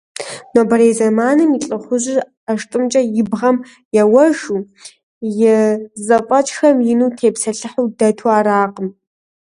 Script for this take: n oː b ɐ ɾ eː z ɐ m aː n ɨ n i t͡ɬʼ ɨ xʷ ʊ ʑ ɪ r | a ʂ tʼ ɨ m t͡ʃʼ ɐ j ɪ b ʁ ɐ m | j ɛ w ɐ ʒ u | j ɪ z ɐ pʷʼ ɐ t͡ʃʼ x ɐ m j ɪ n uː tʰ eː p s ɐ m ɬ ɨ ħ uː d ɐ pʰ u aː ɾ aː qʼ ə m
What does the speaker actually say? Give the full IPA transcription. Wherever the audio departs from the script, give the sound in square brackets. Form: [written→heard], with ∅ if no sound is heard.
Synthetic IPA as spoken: n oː b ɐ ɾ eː z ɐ m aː n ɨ [n→m] i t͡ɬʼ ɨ [xʷ→χʷ] ʊ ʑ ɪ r | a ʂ tʼ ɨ m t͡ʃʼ ɐ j ɪ b ʁ ɐ m | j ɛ w ɐ ʒ u | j ɪ z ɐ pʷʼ ɐ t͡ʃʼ x ɐ m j ɪ n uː tʰ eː p s ɐ [m→∅] ɬ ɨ ħ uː d ɐ [pʰ→tʰ] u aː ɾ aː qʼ ə m